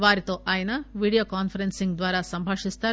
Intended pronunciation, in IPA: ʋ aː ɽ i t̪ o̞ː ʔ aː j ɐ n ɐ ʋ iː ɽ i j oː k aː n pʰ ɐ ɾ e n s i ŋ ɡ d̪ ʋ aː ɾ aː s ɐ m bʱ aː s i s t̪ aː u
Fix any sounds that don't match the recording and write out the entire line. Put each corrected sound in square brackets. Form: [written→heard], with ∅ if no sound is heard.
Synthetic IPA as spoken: ʋ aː [ɽ→ɾ] i t̪ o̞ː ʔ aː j ɐ n ɐ ʋ iː ɽ i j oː k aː n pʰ ɐ ɾ e n s i ŋ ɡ d̪ ʋ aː ɾ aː s ɐ m bʱ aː [s→ʂ] i s t̪ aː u